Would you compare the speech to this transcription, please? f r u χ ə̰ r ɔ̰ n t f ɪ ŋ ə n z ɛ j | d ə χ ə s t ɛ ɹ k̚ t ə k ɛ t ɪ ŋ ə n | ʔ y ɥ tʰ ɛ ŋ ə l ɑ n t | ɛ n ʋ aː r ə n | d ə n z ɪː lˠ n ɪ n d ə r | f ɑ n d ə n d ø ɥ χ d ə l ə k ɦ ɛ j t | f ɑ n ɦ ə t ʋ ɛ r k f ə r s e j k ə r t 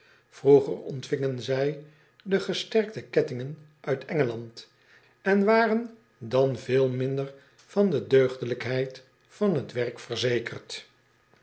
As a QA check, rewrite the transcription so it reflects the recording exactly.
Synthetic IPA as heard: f r u χ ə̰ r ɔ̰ n t f ɪ ŋ ə n z ɛ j | d ə χ ə s t ɛ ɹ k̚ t ə k ɛ t ɪ ŋ ə n | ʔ œ ɥ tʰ ɛ ŋ ə l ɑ n t | ɛ n ʋ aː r ə n | d ɑ n v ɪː lˠ m ɪ n d ə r | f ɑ n d ə d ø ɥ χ d ə l ə k ɦ ɛ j t | f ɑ n ɦ ə t ʋ ɛ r k f ə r z e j k ə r t